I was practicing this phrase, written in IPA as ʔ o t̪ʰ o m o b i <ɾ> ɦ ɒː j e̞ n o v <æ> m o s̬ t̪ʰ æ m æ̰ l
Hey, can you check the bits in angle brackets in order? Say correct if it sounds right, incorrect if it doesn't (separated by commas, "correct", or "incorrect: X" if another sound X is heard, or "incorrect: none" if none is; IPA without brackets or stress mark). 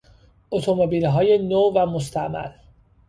incorrect: l, correct